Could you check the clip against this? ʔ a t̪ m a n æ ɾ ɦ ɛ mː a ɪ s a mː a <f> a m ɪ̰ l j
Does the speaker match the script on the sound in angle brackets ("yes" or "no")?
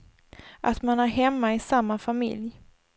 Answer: yes